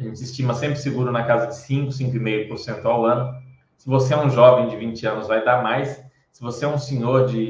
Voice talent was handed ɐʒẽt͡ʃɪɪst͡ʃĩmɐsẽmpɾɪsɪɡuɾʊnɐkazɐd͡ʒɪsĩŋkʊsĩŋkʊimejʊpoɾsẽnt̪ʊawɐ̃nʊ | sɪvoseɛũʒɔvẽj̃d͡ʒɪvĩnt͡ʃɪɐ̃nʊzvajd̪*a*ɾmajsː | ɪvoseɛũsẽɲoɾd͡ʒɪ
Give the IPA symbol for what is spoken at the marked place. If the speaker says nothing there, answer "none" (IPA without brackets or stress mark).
a